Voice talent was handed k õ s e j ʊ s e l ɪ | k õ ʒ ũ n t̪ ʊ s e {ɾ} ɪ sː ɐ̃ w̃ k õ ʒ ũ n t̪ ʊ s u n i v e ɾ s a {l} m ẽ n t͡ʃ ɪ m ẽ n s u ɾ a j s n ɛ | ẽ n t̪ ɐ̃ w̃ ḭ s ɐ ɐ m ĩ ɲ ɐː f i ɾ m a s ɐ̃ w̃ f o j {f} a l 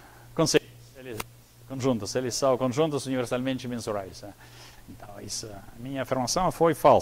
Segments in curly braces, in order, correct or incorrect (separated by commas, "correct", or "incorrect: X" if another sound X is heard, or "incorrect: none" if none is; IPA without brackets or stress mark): incorrect: l, correct, correct